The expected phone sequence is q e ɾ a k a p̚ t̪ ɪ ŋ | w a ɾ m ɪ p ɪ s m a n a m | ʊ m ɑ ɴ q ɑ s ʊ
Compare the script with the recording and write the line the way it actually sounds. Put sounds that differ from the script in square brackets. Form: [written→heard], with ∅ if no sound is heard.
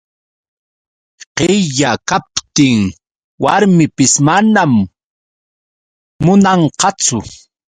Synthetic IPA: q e [ɾ→ʎ] a k a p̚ t̪ ɪ ŋ | w a ɾ m ɪ p ɪ s m a n a m | ʊ [m→n] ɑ ɴ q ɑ [s→t͡s] ʊ

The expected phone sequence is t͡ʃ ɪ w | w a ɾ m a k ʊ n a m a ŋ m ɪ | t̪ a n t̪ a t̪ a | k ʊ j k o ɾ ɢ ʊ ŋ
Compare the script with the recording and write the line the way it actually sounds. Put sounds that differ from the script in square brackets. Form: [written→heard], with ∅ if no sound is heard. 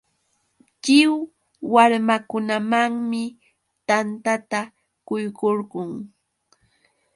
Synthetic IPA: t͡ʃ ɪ w | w a ɾ m a k ʊ n a m a ŋ m ɪ | t̪ a n t̪ a t̪ a | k ʊ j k o ɾ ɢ ʊ ŋ

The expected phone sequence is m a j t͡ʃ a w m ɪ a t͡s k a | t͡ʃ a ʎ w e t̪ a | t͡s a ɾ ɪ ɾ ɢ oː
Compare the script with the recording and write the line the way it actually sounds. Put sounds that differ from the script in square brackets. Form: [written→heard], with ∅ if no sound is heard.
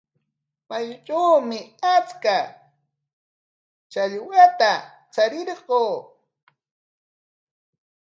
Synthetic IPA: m a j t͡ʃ a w m ɪ a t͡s k a | t͡ʃ a ʎ w [e→a] t̪ a | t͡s a ɾ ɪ ɾ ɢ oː

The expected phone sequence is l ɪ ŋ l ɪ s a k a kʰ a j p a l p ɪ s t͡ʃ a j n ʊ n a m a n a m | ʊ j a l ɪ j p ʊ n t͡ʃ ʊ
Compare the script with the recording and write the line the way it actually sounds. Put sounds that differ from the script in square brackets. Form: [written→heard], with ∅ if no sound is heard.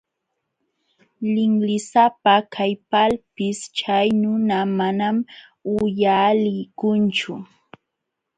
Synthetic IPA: l ɪ ŋ l ɪ s a [k→p] a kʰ a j p a l p ɪ s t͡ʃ a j n ʊ n a m a n a m | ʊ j a l ɪ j [p→k] ʊ n t͡ʃ ʊ

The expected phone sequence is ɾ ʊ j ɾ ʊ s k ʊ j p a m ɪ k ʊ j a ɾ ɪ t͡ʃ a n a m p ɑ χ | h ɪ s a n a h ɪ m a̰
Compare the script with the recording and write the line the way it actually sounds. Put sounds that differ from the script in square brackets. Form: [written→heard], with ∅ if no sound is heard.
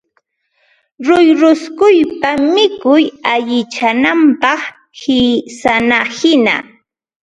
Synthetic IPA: ɾ ʊ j ɾ ʊ s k ʊ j p a m ɪ k ʊ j a [ɾ→ʎ] ɪ t͡ʃ a n a m p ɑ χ | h ɪ s a n a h ɪ [m→n] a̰

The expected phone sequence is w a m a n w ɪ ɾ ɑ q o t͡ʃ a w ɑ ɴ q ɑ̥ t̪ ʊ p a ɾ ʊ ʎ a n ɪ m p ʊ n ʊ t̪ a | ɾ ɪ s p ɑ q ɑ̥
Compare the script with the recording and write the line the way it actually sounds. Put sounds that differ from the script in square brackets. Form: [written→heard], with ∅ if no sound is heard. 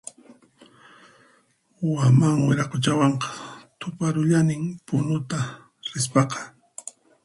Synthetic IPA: w a m a [n→ŋ] w ɪ ɾ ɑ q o t͡ʃ a w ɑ ɴ q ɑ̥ t̪ ʊ p a ɾ ʊ ʎ a n ɪ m p ʊ n ʊ t̪ a | ɾ ɪ s p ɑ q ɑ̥

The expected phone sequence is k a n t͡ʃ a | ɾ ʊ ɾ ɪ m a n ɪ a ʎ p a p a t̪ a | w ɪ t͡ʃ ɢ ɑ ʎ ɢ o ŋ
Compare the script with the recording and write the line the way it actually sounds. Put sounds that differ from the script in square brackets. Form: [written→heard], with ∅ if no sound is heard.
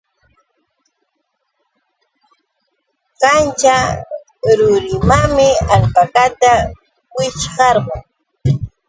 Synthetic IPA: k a n t͡ʃ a | ɾ ʊ ɾ ɪ m a [n→m] ɪ a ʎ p a [p→k] a t̪ a | w ɪ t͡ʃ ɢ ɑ [ʎ→ɾ] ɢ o ŋ

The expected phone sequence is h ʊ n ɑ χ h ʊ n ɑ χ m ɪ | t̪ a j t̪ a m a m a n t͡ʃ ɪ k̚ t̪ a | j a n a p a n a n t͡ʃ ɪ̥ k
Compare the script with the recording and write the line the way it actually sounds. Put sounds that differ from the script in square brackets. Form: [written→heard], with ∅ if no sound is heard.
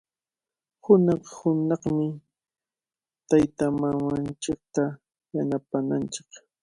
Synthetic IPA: h ʊ n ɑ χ h ʊ n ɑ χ m ɪ | t̪ a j t̪ a m a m a n t͡ʃ ɪ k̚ t̪ a | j a n a p a n a n t͡ʃ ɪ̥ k

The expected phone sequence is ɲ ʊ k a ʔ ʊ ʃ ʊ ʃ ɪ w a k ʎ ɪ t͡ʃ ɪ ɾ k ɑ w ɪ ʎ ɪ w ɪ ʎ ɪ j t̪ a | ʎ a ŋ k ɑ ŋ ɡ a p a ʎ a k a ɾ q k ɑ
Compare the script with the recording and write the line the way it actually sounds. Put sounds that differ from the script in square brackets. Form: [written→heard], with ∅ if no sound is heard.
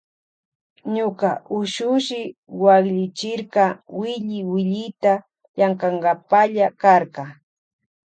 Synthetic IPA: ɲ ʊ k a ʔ ʊ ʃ ʊ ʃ ɪ w a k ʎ ɪ t͡ʃ ɪ ɾ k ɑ w ɪ ʎ ɪ w ɪ ʎ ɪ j t̪ a | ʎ a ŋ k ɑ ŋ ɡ a p a ʎ a k a ɾ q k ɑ

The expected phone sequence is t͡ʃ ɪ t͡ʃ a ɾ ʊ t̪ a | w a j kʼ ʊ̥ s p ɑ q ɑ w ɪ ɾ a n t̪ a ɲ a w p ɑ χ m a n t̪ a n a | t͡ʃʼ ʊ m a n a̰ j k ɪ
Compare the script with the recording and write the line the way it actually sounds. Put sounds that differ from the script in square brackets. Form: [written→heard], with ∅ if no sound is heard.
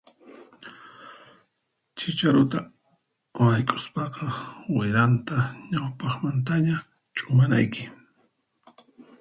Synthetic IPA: t͡ʃ ɪ t͡ʃ a ɾ ʊ t̪ a | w a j kʼ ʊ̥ s p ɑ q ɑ w ɪ ɾ a n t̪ a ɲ a w p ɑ χ m a n t̪ a [n→ɲ] a | t͡ʃʼ ʊ m a n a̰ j k ɪ

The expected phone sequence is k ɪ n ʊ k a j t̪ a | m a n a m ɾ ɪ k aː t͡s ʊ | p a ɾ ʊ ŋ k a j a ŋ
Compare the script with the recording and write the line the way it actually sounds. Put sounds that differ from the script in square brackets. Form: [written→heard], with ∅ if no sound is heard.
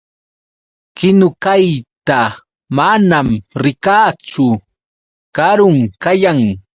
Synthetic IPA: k ɪ n ʊ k a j t̪ a | m a n a m ɾ ɪ k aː t͡s ʊ | [p→k] a ɾ ʊ ŋ k a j a ŋ

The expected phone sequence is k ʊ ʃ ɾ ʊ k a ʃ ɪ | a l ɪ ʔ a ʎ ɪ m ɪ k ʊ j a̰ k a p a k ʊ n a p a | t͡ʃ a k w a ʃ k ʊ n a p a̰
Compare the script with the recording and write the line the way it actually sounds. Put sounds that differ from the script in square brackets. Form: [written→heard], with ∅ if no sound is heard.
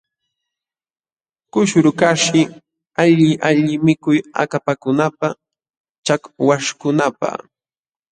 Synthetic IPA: k ʊ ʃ ɾ ʊ k a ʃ ɪ | a [l→ʎ] ɪ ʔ a ʎ ɪ m ɪ k ʊ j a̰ k a p a k ʊ n a p a | t͡ʃ a k w a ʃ k ʊ n a p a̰

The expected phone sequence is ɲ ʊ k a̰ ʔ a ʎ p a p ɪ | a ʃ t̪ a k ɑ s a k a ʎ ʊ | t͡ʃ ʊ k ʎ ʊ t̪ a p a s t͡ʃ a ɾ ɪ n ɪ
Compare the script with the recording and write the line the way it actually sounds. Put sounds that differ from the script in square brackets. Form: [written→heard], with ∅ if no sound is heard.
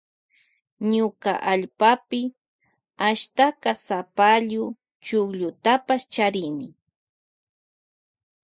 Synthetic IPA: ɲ ʊ k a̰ ʔ a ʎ p a p ɪ | a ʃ t̪ a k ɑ s a [k→p] a ʎ ʊ | t͡ʃ ʊ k ʎ ʊ t̪ a p a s t͡ʃ a ɾ ɪ n ɪ

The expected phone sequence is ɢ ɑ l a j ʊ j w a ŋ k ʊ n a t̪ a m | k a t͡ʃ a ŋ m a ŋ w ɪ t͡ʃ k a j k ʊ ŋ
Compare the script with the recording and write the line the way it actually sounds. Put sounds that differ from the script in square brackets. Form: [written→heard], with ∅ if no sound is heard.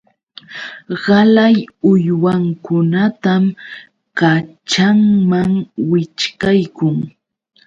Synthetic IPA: ɢ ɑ l a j ʊ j w a ŋ k ʊ n a t̪ a m | k a t͡ʃ a ŋ m a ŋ w ɪ t͡ʃ k a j k ʊ ŋ

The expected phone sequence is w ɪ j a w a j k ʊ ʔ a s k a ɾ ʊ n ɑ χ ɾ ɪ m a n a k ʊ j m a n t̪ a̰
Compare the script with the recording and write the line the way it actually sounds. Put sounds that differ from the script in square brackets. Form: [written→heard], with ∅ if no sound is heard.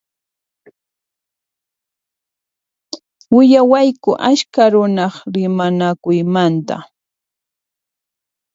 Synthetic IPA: w ɪ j a w a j k ʊ ʔ a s k a ɾ ʊ n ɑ χ ɾ ɪ m a n a k ʊ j m a n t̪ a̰

